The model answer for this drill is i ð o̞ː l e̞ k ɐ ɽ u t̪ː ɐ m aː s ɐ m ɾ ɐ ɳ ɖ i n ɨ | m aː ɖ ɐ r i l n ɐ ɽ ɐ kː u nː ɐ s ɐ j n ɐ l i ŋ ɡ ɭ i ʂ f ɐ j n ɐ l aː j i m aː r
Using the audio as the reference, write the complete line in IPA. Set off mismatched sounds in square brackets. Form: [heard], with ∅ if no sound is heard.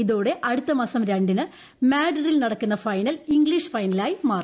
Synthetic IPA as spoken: i ð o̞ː [ɽ] e̞ [ʔ] ɐ ɽ u t̪ː ɐ m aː s ɐ m ɾ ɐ ɳ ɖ i n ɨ | m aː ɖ ɐ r i l n ɐ ɽ ɐ kː u nː ɐ [f] ɐ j n ɐ l i ŋ ɡ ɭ i ʂ f ɐ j n ɐ l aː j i m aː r